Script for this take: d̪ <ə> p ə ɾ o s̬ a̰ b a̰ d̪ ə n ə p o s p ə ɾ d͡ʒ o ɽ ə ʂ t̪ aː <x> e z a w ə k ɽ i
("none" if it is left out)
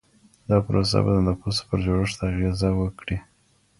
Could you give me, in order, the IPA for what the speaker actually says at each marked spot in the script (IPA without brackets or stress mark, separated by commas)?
ɑ, ɣ